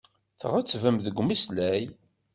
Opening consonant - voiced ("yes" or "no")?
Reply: no